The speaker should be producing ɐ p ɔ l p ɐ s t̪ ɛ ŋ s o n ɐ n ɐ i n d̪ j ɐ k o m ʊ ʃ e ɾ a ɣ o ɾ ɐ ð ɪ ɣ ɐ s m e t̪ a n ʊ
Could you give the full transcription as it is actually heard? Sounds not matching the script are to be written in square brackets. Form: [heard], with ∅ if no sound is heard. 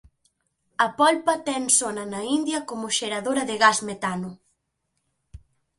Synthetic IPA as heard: ɐ p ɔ l p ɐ [∅] t̪ ɛ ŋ s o n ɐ n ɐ i n d̪ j ɐ k o m ʊ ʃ e ɾ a [ð] o ɾ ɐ ð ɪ ɣ [a] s m e t̪ a n ʊ